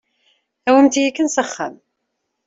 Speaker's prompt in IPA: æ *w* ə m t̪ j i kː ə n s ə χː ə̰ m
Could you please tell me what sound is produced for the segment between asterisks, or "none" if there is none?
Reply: w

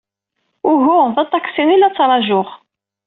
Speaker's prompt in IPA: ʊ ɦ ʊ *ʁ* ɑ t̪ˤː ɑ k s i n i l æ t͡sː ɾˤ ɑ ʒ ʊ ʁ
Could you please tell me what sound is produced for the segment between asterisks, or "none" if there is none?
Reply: ð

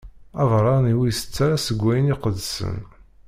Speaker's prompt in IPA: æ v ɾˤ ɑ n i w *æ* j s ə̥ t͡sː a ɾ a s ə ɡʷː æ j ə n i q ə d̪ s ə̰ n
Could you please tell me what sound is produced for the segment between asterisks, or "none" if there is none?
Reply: i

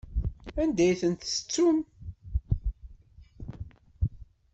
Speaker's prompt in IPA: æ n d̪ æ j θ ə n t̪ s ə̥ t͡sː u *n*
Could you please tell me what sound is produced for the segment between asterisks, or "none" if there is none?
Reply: m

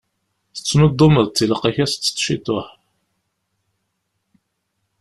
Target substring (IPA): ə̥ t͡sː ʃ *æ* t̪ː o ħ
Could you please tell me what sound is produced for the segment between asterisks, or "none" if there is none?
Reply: i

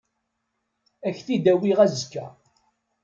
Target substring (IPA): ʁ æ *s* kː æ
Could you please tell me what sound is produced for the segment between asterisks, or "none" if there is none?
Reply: z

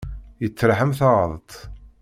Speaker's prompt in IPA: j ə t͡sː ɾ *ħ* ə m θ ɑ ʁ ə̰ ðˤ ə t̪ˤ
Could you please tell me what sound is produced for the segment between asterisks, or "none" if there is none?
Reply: ħ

